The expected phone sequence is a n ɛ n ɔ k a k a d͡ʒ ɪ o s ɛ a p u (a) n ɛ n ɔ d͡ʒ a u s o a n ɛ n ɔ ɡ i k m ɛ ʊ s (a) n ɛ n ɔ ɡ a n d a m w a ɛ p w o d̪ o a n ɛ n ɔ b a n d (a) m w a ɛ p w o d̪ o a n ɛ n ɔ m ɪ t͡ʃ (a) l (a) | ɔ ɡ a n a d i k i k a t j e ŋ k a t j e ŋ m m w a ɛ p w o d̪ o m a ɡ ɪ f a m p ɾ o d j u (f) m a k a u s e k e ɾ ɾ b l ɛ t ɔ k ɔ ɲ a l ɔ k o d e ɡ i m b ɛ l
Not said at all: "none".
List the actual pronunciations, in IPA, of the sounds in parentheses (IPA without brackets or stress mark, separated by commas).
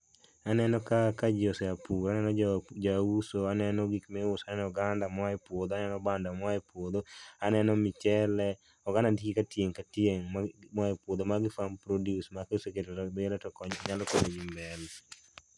a, a, a, ɛ, ɛ, s